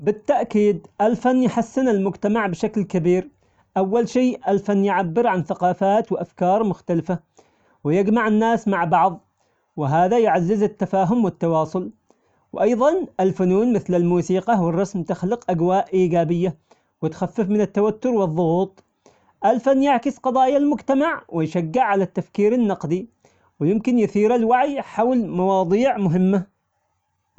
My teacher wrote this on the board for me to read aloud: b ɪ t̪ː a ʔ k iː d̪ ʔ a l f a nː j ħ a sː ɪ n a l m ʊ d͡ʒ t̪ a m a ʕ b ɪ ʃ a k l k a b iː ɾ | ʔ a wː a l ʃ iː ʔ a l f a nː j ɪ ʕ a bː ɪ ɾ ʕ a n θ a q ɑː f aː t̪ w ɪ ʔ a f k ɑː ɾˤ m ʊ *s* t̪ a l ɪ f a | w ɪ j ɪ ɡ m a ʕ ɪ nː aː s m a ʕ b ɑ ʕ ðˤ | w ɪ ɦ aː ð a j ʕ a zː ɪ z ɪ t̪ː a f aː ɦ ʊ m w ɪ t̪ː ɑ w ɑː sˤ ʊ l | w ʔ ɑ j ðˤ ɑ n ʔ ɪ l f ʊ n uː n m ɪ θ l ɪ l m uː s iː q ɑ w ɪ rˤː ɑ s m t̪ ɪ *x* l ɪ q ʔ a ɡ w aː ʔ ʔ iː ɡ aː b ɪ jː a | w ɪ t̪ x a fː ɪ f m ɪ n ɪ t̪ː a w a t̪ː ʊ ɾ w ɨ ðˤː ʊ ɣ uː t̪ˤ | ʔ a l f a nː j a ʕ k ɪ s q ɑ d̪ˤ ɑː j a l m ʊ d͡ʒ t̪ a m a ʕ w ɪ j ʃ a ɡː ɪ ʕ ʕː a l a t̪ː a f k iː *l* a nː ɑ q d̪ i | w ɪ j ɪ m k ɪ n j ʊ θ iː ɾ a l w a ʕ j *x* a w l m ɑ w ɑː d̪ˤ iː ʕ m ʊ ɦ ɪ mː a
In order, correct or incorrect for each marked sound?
incorrect, correct, incorrect, incorrect

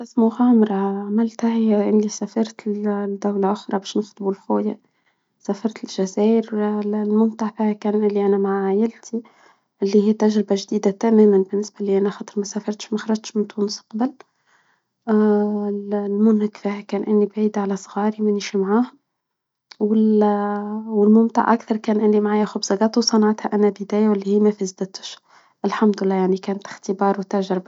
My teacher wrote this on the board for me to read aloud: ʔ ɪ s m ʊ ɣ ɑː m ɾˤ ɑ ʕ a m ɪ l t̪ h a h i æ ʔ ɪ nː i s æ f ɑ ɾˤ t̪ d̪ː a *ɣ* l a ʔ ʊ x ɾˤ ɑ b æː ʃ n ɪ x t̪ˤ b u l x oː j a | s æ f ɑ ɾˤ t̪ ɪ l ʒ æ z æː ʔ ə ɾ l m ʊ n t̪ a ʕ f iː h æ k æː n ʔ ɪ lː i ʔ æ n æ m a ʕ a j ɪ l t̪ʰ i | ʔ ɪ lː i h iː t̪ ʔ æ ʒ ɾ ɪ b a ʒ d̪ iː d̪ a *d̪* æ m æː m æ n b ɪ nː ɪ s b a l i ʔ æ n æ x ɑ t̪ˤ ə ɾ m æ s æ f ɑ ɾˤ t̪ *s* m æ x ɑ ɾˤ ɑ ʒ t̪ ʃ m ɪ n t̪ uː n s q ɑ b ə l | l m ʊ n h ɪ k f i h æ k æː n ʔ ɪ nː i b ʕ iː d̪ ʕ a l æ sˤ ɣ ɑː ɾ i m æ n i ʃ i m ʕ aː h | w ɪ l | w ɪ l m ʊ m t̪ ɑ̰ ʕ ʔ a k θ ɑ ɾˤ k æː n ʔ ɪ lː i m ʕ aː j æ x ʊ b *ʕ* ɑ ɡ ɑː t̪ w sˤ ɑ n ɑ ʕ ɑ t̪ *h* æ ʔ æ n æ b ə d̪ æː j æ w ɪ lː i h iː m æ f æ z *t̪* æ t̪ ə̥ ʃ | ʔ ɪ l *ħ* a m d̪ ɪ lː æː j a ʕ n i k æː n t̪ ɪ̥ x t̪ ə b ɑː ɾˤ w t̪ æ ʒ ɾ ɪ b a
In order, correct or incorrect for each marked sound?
incorrect, incorrect, incorrect, incorrect, correct, incorrect, correct

